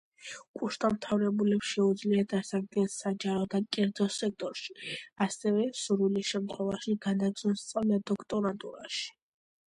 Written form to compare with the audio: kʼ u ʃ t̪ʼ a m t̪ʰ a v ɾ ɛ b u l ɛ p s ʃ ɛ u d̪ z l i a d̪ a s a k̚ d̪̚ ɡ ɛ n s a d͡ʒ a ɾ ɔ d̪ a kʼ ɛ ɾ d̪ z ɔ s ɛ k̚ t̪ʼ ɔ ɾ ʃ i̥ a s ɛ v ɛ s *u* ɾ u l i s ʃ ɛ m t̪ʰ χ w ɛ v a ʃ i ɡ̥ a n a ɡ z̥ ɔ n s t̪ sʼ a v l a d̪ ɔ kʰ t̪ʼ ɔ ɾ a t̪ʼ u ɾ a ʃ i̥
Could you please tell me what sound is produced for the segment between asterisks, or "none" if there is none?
u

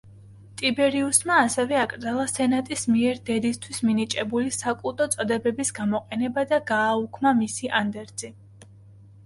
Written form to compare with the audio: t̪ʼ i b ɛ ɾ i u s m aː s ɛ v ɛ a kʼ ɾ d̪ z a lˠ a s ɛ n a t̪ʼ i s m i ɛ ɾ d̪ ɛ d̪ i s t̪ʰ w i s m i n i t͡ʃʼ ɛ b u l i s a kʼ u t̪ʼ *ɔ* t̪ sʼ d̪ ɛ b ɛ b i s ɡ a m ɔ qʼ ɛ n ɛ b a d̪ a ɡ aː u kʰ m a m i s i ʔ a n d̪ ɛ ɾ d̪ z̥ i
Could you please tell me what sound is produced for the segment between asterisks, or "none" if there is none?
ɔ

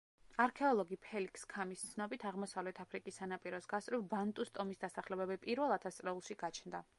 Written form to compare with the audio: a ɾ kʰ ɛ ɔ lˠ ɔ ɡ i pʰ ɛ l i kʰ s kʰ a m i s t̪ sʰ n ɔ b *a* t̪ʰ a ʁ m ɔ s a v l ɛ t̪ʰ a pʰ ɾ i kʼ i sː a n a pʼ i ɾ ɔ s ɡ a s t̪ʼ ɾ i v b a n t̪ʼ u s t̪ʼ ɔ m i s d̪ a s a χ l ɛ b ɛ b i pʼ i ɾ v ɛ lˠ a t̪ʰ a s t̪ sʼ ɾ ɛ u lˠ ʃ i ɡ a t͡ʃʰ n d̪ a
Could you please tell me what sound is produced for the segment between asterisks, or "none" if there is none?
i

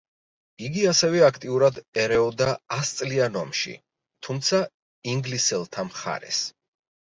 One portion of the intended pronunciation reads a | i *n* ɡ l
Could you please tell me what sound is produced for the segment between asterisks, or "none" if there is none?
ŋ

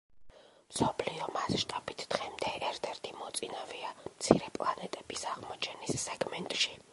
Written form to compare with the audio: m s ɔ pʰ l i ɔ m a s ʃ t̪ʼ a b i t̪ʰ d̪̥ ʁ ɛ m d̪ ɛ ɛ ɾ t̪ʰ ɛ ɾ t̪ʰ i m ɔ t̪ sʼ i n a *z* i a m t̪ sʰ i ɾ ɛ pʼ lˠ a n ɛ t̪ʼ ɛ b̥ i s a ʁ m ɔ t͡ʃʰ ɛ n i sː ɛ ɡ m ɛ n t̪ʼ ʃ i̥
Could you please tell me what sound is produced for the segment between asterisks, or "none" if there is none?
v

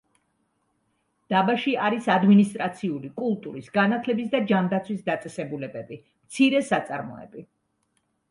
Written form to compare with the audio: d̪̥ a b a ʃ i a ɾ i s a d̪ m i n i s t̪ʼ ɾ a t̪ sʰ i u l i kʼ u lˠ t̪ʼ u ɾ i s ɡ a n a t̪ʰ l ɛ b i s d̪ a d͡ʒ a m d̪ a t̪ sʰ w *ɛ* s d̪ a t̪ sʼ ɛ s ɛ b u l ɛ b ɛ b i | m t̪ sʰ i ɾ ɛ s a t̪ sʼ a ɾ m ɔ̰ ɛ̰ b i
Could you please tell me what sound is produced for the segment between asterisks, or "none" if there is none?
i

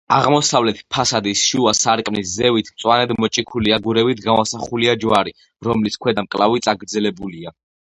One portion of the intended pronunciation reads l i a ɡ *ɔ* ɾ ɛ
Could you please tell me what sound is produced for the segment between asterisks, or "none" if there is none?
u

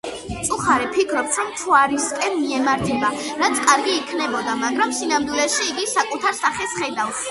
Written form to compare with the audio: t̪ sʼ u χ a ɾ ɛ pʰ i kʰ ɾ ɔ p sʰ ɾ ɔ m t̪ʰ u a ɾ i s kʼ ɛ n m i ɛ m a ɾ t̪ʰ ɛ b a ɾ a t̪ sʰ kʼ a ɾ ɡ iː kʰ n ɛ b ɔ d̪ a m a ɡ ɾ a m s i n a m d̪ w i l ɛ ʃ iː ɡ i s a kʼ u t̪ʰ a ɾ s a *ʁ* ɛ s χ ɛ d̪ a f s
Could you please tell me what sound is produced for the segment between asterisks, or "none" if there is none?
χ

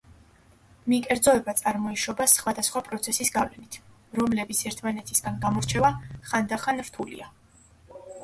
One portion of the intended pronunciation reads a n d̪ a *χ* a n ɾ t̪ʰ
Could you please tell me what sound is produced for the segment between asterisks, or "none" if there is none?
χ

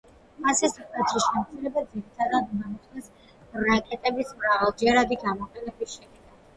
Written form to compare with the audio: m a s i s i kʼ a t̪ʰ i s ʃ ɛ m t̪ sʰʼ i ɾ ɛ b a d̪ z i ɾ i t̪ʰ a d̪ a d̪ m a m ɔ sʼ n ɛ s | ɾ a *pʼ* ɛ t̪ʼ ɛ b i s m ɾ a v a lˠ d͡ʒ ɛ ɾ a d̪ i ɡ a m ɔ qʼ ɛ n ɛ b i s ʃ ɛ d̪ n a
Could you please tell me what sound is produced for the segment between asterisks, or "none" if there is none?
kʼ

